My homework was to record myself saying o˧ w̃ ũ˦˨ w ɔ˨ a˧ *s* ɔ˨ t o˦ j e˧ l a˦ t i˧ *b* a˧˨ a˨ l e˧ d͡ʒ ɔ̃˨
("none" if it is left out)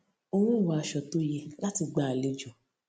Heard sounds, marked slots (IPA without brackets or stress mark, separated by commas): ʃ, ɡ͡b